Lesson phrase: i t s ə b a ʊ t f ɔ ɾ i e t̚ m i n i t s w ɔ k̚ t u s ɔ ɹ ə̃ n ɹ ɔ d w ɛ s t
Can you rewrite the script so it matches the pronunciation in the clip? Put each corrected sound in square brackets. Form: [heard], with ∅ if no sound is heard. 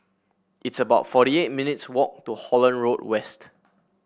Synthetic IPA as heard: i t s ə b a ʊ t f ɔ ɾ i e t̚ m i n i t s w ɔ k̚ t u [h] ɔ [l] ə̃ n ɹ [o] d w ɛ s t